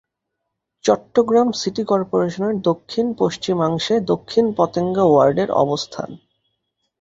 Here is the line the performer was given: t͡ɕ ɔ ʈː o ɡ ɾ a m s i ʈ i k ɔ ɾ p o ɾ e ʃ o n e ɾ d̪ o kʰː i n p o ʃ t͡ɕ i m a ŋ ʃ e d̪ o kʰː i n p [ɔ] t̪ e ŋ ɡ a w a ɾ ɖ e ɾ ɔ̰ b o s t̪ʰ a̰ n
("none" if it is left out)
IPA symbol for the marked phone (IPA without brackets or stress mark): ɔ